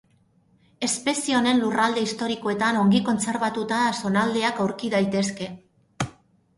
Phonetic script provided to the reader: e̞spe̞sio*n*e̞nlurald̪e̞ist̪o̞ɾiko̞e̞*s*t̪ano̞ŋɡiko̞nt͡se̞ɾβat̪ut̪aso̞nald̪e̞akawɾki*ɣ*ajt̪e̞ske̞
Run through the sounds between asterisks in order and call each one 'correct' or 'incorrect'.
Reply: correct, incorrect: none, incorrect: ð

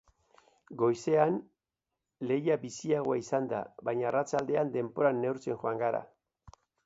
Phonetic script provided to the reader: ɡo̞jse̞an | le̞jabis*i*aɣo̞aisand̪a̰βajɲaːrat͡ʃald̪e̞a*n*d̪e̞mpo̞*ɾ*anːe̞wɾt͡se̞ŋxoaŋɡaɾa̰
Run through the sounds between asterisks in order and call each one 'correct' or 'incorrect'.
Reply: correct, correct, correct

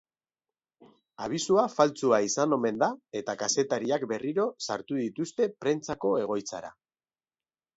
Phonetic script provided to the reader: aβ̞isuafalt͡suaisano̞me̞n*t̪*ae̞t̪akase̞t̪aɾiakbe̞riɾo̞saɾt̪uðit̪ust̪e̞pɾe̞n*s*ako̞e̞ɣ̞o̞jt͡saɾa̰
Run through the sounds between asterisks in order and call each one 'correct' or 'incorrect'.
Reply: incorrect: d̪, incorrect: t͡s

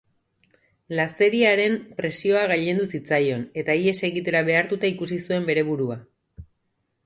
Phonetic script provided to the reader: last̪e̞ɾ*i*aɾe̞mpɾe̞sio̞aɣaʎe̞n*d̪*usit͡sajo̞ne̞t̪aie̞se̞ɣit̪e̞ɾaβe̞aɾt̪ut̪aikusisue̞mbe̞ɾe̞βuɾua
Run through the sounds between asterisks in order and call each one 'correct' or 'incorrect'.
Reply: correct, correct

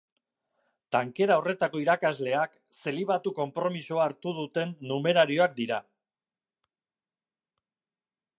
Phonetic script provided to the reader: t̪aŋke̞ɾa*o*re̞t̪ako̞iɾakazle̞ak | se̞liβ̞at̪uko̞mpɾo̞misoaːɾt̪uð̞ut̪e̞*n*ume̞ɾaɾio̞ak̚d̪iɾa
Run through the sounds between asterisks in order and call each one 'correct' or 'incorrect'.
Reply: correct, incorrect: nː

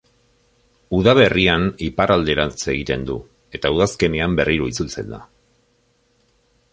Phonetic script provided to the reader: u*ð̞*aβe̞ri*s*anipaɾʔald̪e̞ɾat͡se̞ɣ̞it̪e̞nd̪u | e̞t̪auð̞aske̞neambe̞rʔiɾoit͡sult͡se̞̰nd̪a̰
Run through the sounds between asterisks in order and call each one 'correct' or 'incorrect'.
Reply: correct, incorrect: none

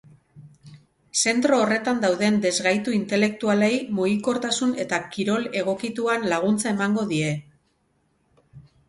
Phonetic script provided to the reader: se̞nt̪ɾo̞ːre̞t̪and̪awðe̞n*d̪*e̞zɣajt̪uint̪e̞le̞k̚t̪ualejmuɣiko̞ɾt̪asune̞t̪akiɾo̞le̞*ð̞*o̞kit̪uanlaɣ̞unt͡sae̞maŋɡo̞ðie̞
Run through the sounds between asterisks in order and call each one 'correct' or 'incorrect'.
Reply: correct, incorrect: ɣ̞

